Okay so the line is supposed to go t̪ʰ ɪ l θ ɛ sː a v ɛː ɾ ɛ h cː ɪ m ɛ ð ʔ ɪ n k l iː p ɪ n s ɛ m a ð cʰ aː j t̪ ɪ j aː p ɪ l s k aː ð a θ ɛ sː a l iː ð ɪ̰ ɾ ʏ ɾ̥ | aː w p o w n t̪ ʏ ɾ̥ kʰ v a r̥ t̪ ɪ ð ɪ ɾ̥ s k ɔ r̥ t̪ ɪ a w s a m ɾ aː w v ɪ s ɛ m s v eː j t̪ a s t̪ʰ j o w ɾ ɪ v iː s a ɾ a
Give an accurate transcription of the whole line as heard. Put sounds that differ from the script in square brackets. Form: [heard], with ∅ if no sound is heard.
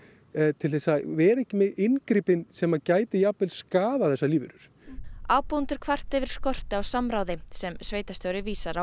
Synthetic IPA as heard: t̪ʰ ɪ l θ ɛ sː a v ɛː ɾ ɛ h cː ɪ m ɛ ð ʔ ɪ n k [ɾ] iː p ɪ n s ɛ m a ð [c] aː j t̪ ɪ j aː p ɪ l s k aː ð a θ ɛ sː a l iː [v] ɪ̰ ɾ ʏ ɾ̥ | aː w p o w n t̪ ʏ ɾ̥ kʰ v a r̥ t̪ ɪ [v] ɪ ɾ̥ s k ɔ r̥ t̪ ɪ a w s a m ɾ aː w [ð] ɪ s ɛ m s v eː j t̪ a s [t̪] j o w ɾ ɪ v iː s a ɾ a